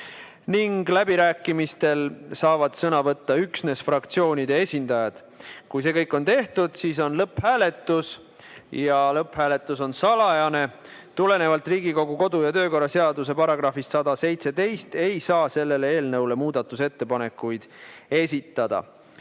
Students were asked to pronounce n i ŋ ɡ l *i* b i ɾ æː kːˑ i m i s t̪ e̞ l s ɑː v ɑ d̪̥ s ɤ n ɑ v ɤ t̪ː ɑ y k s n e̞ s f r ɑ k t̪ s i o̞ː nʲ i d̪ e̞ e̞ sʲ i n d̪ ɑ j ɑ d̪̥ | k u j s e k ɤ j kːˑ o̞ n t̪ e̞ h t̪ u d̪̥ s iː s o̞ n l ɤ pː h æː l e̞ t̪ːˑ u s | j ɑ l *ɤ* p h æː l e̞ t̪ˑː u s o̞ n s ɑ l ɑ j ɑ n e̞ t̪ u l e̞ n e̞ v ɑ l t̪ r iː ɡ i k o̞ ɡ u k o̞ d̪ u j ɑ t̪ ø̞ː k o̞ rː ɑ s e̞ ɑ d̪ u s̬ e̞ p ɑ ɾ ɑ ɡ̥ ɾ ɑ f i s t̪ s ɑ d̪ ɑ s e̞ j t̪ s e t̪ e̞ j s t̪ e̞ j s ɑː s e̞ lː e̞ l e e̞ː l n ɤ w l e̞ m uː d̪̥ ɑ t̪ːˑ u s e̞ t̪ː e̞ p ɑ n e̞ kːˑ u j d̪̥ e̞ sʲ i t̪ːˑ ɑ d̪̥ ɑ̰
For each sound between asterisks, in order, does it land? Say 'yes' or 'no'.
no, yes

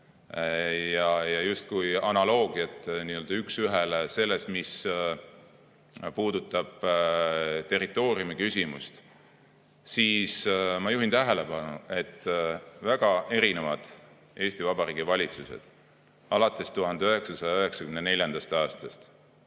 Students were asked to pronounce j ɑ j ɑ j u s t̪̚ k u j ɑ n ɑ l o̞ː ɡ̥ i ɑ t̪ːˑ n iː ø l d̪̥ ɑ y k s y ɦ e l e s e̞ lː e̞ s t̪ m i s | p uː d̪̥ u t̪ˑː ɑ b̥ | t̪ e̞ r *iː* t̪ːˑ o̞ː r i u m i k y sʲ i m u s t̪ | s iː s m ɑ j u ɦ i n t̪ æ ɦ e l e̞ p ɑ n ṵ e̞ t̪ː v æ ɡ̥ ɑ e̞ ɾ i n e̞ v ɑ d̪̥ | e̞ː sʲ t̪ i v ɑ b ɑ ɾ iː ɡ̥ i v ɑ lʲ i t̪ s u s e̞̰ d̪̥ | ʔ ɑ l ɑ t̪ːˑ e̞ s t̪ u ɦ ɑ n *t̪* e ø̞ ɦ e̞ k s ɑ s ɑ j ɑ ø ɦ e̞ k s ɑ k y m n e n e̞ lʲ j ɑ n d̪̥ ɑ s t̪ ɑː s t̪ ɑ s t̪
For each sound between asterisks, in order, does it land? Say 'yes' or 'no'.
no, no

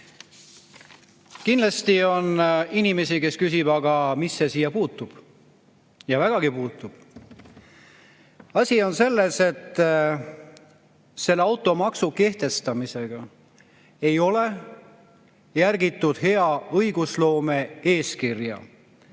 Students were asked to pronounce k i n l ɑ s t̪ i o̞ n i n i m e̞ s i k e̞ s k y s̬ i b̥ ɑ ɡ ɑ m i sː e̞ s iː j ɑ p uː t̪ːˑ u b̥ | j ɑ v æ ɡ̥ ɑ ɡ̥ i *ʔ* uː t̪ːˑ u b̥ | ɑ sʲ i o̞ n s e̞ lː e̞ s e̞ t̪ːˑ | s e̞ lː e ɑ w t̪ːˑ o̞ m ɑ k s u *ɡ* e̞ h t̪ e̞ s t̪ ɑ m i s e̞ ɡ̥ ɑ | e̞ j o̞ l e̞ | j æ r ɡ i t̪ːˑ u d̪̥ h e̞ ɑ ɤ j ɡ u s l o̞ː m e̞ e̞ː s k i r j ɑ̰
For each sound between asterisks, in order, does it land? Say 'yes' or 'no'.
no, no

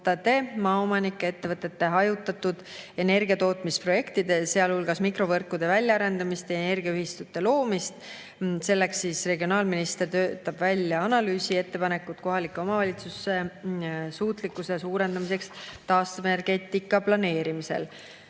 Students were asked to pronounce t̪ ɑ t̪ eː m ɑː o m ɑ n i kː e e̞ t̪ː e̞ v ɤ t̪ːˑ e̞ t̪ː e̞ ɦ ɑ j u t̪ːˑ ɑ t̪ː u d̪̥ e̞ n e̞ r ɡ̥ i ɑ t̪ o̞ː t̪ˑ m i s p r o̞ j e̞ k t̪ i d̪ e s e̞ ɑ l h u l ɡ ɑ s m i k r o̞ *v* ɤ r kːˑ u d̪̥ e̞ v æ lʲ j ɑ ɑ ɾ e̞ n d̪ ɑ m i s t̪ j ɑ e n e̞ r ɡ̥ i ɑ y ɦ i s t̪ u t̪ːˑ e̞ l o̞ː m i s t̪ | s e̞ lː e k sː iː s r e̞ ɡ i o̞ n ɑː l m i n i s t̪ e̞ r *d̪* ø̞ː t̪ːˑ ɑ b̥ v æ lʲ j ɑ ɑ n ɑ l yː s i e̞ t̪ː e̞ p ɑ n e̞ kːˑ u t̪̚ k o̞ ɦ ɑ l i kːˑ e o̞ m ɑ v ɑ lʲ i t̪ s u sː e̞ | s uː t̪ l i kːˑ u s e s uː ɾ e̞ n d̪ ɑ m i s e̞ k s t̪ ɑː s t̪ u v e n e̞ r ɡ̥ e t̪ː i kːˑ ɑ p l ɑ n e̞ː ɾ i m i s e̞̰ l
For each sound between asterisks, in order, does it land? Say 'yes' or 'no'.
yes, no

